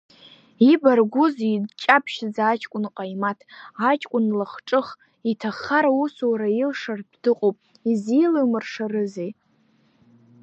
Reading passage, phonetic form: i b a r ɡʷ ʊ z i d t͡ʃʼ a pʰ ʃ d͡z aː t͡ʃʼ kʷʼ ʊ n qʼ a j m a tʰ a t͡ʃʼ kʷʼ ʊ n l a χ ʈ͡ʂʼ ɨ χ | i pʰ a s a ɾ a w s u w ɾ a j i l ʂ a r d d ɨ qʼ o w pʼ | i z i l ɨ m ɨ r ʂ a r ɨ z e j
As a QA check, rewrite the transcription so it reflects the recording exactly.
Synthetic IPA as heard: i b a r ɡʷ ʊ z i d t͡ʃʼ a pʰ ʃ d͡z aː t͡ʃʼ kʷʼ ʊ n qʼ a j m a tʰ a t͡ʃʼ kʷʼ ʊ n l a χ ʈ͡ʂʼ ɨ χ | i tʰ a χ a ɾ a u s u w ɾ a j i l ʂ a r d d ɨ qʼ o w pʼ | i z i l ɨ m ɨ r ʂ a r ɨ z e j